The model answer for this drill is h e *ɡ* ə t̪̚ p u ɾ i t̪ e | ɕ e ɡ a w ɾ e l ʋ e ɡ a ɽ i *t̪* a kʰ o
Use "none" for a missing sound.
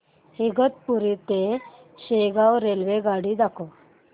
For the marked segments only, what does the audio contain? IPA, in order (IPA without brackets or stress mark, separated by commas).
ɡ, d̪